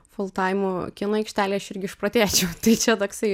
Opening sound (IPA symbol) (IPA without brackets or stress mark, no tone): f